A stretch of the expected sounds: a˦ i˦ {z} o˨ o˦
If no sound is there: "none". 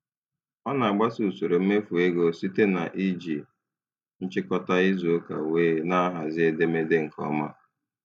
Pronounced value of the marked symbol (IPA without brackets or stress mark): z